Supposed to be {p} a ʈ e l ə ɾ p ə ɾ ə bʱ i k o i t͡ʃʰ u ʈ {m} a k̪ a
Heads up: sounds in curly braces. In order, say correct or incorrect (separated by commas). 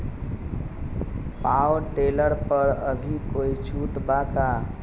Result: correct, incorrect